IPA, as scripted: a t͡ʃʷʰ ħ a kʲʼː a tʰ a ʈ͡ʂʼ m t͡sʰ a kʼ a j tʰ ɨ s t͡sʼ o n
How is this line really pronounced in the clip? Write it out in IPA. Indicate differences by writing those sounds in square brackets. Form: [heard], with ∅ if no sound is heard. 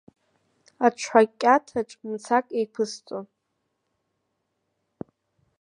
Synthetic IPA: a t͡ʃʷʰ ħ a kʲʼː a tʰ a ʈ͡ʂʼ m t͡sʰ a kʼ [e] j [pʰ] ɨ s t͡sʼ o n